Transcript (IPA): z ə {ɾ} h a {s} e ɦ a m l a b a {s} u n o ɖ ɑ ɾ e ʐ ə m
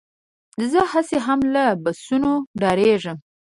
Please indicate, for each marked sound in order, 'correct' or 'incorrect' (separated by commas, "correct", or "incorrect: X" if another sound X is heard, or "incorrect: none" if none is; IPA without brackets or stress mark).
incorrect: none, correct, correct